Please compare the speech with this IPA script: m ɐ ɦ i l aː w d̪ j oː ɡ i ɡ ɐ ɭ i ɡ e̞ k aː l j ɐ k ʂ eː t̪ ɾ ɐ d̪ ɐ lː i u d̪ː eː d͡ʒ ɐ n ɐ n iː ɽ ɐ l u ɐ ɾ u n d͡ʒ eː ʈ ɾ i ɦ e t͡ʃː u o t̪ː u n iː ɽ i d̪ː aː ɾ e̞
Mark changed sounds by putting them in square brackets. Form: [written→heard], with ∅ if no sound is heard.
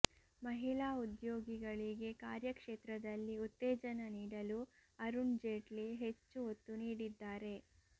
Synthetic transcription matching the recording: m ɐ ɦ i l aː [w→u] d̪ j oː ɡ i ɡ ɐ ɭ i ɡ e̞ k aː [l→ɾ] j ɐ k ʂ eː t̪ ɾ ɐ d̪ ɐ lː i u [d̪ː→t̪ː] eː d͡ʒ ɐ n ɐ n iː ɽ ɐ l u ɐ ɾ u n d͡ʒ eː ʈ [ɾ→l] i ɦ e t͡ʃː u o t̪ː u n iː ɽ i d̪ː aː ɾ e̞

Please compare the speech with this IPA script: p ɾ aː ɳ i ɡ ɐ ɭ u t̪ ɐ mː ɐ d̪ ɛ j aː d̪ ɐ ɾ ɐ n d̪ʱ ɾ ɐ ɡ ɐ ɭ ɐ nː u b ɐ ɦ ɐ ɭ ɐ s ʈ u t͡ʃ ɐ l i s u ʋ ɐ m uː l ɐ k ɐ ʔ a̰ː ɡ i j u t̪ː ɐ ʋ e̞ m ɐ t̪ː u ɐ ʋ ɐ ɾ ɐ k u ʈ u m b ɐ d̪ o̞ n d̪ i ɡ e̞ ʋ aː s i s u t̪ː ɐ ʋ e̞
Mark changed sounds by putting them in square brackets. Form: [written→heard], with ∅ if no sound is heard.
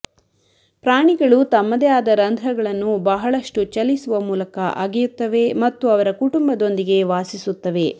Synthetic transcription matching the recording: p ɾ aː ɳ i ɡ ɐ ɭ u t̪ ɐ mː ɐ d̪ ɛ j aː d̪ ɐ ɾ ɐ n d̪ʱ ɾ ɐ ɡ ɐ ɭ ɐ nː u b ɐ ɦ ɐ ɭ ɐ [s→ʂ] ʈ u t͡ʃ ɐ l i s u ʋ ɐ m uː l ɐ k ɐ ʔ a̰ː ɡ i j u t̪ː ɐ ʋ e̞ m ɐ t̪ː u ɐ ʋ ɐ ɾ ɐ k u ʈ u m b ɐ d̪ o̞ n d̪ i ɡ e̞ ʋ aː s i s u t̪ː ɐ ʋ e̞

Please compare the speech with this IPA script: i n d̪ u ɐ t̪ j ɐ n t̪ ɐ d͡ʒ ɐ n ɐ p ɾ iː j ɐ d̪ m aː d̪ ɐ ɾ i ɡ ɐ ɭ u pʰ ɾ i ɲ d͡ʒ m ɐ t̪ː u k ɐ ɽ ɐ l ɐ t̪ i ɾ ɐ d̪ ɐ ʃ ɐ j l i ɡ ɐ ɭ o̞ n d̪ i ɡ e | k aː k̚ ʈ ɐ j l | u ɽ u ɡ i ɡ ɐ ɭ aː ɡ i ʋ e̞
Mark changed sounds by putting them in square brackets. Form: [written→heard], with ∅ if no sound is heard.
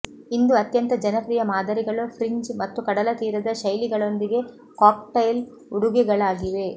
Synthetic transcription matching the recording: i n d̪ u ɐ t̪ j ɐ n t̪ ɐ d͡ʒ ɐ n ɐ p ɾ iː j ɐ [d̪→∅] m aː d̪ ɐ ɾ i ɡ ɐ ɭ u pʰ ɾ i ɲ d͡ʒ m ɐ t̪ː u k ɐ ɽ ɐ l ɐ t̪ [i→iː] ɾ ɐ d̪ ɐ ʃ ɐ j l i ɡ ɐ ɭ o̞ n d̪ i ɡ e | k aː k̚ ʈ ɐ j l | u ɽ u ɡ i ɡ ɐ ɭ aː ɡ i ʋ e̞

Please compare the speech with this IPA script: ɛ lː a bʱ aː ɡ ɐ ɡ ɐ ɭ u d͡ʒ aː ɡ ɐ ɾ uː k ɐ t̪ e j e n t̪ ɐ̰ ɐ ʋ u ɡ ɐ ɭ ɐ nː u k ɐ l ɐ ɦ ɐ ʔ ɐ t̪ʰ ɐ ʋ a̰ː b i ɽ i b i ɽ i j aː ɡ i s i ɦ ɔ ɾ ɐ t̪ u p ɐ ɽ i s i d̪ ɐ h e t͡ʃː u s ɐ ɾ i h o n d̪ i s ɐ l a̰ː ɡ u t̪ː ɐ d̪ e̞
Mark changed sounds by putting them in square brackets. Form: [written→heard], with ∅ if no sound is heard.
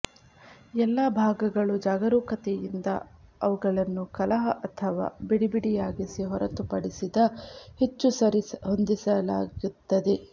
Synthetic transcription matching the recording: ɛ lː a bʱ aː ɡ ɐ ɡ ɐ ɭ u d͡ʒ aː ɡ ɐ ɾ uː k ɐ t̪ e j [e→i] n [t̪→d̪] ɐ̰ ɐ ʋ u ɡ ɐ ɭ ɐ nː u k ɐ l ɐ ɦ ɐ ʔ ɐ t̪ʰ ɐ ʋ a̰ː b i ɽ i b i ɽ i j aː ɡ i s i ɦ ɔ ɾ ɐ t̪ u p ɐ ɽ i s i d̪ ɐ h e t͡ʃː u s ɐ ɾ i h o n d̪ i s ɐ l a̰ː ɡ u t̪ː ɐ d̪ e̞

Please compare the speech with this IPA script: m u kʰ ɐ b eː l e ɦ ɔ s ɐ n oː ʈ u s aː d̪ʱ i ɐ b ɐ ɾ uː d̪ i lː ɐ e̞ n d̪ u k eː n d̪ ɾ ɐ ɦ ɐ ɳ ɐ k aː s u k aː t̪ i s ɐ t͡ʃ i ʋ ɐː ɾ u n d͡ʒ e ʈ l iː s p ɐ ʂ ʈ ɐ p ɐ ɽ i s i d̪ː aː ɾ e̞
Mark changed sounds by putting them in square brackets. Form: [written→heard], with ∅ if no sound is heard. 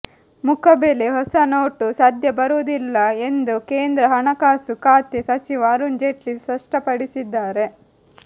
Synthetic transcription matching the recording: m u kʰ ɐ b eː l e ɦ ɔ s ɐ n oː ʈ u s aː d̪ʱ [i→j] ɐ b ɐ ɾ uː d̪ i lː ɐ e̞ n d̪ u k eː n d̪ ɾ ɐ ɦ ɐ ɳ ɐ k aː s u k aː t̪ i s ɐ t͡ʃ i ʋ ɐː ɾ u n d͡ʒ e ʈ l [iː→i] s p ɐ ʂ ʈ ɐ p ɐ ɽ i s i d̪ː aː ɾ e̞

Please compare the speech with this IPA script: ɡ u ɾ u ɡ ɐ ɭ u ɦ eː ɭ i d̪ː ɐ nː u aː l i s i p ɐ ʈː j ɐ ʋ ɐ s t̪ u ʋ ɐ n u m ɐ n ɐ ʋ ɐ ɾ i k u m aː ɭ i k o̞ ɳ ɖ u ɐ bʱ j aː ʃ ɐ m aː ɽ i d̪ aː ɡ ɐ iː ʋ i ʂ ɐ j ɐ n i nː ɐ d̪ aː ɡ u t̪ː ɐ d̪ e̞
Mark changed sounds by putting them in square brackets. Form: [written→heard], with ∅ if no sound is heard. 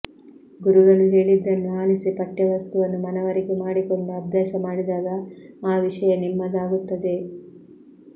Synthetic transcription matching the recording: ɡ u ɾ u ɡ ɐ ɭ u ɦ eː ɭ i d̪ː ɐ nː u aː l i s i p ɐ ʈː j ɐ ʋ ɐ s t̪ u ʋ ɐ [n→nː] u m ɐ n ɐ ʋ ɐ ɾ i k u m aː [ɭ→ɽ] i k o̞ ɳ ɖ u ɐ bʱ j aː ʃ ɐ m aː ɽ i d̪ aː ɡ ɐ [iː→aː] ʋ i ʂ ɐ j ɐ n i [nː→mː] ɐ d̪ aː ɡ u t̪ː ɐ d̪ e̞

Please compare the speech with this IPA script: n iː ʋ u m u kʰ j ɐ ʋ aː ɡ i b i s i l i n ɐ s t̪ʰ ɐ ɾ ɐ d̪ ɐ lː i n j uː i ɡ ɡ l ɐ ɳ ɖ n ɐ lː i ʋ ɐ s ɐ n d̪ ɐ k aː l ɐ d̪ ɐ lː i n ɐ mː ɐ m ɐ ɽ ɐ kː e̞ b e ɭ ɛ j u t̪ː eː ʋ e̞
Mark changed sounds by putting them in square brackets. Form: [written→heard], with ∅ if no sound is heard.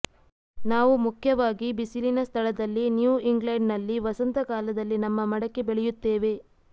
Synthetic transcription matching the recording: n [iː→aː] ʋ u m u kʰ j ɐ ʋ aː ɡ i b i s i l i n ɐ s t̪ʰ ɐ [ɾ→ɭ] ɐ d̪ ɐ lː i n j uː i [ɡ→ŋ] ɡ l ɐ ɳ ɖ n ɐ lː i ʋ ɐ s ɐ n [d̪→t̪] ɐ k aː l ɐ d̪ ɐ lː i n ɐ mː ɐ m ɐ ɽ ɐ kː e̞ b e ɭ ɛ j u t̪ː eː ʋ e̞

